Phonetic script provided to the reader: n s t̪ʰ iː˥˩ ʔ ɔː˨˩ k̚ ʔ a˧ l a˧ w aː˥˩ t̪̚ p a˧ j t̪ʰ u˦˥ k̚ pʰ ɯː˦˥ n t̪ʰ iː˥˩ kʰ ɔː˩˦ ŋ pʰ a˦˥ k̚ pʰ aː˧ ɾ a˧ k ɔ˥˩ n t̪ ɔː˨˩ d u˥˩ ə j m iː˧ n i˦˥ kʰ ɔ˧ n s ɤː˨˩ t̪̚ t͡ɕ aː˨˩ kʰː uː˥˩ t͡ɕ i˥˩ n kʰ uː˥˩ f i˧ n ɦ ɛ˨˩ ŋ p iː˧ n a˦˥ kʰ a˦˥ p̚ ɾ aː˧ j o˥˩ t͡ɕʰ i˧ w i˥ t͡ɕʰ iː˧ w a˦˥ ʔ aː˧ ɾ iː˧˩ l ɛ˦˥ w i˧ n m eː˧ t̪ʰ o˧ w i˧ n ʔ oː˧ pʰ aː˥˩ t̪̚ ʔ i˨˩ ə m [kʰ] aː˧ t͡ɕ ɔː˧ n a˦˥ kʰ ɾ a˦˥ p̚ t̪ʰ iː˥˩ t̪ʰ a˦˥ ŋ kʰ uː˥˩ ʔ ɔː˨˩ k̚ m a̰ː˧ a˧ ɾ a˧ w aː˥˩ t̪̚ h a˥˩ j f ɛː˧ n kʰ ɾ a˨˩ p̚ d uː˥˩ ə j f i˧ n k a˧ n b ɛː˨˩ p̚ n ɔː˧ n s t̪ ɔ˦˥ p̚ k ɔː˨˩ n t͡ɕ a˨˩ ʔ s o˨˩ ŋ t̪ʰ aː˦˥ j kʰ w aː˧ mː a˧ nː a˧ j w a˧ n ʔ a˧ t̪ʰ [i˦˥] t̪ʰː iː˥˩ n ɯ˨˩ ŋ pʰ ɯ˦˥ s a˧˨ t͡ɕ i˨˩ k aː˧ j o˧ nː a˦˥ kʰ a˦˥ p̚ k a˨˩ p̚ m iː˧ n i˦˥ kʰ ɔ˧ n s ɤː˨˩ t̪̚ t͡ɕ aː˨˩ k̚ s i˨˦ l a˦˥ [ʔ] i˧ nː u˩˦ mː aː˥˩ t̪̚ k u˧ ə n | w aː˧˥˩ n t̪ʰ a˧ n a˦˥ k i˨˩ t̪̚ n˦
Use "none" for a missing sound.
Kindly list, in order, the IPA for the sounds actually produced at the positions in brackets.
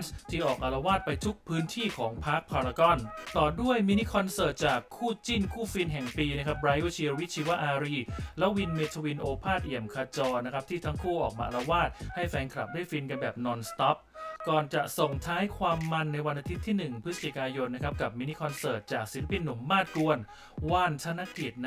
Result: kʰ, i˦˥, p

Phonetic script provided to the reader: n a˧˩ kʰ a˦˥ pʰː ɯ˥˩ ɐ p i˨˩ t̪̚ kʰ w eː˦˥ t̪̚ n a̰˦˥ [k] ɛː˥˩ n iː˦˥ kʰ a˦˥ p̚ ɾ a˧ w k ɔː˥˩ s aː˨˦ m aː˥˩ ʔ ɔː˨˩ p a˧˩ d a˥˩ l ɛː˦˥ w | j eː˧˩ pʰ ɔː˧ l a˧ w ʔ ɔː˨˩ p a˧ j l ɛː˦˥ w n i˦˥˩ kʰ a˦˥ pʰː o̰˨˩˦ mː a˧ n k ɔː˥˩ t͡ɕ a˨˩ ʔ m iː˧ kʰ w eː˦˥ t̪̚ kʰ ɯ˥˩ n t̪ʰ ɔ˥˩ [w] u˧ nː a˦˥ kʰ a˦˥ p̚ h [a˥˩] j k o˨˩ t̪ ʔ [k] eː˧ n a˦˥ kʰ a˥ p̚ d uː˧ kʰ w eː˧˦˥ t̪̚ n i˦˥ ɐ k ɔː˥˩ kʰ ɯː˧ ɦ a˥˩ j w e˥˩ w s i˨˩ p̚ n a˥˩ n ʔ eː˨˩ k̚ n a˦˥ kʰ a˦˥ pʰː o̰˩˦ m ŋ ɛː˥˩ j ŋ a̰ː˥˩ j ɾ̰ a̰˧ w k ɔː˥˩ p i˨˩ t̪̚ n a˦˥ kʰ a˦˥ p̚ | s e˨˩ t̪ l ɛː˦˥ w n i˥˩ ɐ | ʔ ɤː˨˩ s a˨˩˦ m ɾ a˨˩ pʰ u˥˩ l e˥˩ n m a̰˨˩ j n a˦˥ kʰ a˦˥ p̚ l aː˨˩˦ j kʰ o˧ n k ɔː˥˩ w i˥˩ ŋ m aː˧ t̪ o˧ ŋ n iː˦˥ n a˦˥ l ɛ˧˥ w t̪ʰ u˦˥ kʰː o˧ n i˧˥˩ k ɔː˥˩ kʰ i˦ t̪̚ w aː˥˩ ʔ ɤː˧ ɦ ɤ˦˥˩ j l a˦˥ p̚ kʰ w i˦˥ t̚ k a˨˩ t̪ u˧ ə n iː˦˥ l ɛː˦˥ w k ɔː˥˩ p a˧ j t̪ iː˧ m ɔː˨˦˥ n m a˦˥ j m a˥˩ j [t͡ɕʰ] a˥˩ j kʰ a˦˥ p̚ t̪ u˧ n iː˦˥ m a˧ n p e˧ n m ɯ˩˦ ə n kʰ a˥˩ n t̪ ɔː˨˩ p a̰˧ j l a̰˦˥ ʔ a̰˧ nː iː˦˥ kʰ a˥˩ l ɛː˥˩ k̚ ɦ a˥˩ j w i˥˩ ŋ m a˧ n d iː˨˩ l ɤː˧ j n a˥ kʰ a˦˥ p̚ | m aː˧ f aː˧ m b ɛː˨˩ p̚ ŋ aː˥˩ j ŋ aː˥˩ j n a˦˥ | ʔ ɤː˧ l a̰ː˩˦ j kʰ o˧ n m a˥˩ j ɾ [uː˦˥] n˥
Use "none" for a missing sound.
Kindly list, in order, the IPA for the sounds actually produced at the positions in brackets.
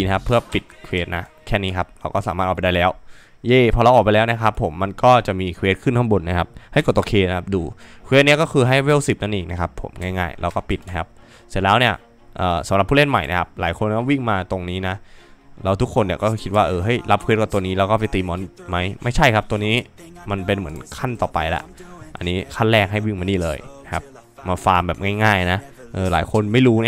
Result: kʰ, b, a˥˩, kʰ, t͡ɕʰ, uː˦˥

